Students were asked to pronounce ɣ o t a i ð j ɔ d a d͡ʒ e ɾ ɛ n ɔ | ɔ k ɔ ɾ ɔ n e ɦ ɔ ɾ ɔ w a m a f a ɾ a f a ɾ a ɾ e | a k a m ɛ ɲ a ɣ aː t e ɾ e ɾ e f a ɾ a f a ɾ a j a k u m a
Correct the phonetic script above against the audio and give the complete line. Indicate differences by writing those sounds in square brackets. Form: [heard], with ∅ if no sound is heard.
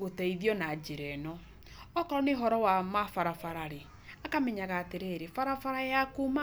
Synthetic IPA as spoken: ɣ o t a i ð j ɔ [n] a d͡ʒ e ɾ ɛ n ɔ | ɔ k ɔ ɾ ɔ n e ɦ ɔ ɾ ɔ w a m a f a ɾ a f a ɾ a ɾ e | a k a m ɛ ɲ a ɣ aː t e ɾ e ɾ e f a ɾ a f a ɾ a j a k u m a